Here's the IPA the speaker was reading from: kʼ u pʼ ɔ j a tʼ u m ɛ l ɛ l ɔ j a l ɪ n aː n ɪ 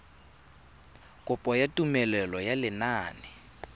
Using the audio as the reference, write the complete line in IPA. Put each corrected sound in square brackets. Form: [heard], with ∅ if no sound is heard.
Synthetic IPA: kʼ [ʊ] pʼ ɔ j a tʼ u m ɛ l ɛ l ɔ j a l ɪ n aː n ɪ